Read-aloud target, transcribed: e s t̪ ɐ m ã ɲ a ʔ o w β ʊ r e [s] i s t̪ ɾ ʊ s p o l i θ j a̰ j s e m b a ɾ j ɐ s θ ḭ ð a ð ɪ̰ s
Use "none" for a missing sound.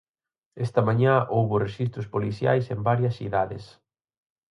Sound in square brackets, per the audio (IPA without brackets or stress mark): ʃ